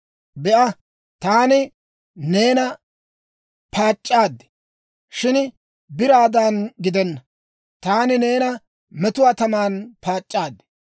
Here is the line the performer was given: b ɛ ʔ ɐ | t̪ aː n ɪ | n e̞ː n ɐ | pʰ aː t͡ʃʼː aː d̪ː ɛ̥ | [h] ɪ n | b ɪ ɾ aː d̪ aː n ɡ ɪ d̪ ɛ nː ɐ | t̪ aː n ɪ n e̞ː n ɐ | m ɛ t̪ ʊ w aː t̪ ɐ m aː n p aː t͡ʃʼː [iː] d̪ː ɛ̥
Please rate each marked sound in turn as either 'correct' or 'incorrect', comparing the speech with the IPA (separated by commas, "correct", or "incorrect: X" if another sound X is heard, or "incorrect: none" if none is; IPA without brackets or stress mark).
incorrect: ʃ, incorrect: aː